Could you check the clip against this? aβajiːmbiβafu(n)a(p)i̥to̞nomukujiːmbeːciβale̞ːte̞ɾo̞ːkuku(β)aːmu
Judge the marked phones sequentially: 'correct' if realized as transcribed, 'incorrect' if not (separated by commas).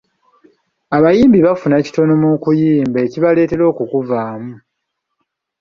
correct, incorrect, incorrect